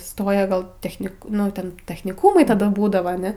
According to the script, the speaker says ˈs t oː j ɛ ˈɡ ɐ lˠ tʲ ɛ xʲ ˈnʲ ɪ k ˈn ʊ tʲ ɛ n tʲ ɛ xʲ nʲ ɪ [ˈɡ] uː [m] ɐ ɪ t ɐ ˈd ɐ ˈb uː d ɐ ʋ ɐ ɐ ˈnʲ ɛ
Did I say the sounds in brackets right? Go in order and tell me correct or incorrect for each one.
incorrect: k, correct

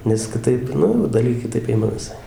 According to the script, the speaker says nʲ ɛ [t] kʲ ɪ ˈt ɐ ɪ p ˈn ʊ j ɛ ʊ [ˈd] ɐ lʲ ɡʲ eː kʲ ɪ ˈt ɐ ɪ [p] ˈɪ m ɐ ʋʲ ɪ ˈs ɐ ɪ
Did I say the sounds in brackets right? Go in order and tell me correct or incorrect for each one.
incorrect: s, correct, correct

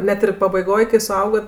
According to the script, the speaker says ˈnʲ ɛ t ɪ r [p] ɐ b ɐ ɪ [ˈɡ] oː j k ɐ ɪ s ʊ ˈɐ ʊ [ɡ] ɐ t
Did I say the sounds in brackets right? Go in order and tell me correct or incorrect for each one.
correct, correct, correct

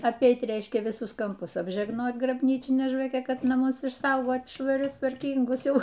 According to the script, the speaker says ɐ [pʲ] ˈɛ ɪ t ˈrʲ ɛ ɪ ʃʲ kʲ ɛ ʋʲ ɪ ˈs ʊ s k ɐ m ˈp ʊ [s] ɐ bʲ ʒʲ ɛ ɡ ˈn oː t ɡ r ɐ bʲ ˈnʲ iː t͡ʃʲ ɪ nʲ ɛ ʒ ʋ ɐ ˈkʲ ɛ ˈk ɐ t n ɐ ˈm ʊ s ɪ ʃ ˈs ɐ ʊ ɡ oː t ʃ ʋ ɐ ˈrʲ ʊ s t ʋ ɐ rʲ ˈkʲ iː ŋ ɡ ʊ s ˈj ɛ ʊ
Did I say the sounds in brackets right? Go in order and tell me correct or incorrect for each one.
correct, correct

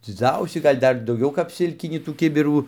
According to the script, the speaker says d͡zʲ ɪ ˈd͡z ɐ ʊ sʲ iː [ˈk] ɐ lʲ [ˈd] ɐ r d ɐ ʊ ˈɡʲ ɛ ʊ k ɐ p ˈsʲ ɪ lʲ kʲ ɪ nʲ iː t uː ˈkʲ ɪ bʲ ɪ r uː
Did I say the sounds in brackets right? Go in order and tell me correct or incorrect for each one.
incorrect: ɡ, correct

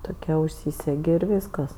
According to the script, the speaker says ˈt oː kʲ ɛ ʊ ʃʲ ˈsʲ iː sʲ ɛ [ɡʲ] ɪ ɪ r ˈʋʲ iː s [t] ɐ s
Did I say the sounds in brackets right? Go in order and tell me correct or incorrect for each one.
correct, incorrect: k

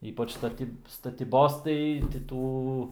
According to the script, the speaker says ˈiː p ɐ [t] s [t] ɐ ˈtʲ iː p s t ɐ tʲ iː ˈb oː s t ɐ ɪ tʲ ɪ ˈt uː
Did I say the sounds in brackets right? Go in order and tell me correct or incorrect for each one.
incorrect: t͡ʃ, correct

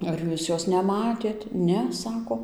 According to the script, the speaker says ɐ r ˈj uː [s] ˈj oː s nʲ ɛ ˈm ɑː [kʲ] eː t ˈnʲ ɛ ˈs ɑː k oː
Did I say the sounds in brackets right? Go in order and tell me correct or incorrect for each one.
correct, incorrect: tʲ

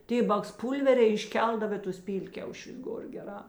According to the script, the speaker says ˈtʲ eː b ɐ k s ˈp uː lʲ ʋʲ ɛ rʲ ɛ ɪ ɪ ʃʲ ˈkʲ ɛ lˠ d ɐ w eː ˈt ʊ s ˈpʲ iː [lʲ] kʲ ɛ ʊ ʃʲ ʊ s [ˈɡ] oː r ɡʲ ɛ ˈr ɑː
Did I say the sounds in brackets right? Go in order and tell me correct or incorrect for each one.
correct, correct

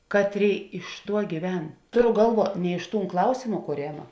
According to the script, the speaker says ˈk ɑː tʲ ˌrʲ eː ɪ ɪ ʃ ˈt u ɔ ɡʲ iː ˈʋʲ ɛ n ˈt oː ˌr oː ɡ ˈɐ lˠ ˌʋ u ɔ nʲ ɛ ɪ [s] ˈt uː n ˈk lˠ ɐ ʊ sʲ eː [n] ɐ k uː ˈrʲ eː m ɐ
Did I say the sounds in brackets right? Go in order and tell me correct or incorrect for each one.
incorrect: ʃ, incorrect: m

